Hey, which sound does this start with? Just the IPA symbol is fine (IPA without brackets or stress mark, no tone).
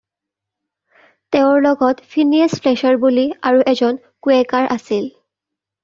t